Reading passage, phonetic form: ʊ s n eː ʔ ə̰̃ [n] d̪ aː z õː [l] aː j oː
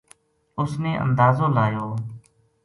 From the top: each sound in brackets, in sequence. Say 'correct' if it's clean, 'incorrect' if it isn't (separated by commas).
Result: correct, correct